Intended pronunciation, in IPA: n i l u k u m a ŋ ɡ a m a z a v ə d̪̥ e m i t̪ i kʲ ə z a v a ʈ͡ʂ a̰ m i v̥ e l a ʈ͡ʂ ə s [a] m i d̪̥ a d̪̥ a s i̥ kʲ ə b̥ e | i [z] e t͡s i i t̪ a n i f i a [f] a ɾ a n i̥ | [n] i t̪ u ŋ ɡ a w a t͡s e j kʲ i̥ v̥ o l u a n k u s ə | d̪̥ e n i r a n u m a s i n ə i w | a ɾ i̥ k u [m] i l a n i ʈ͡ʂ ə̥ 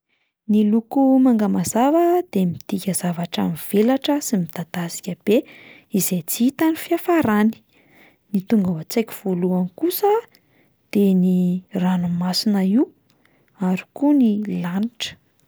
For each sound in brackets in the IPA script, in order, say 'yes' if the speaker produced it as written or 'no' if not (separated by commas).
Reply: no, yes, yes, yes, no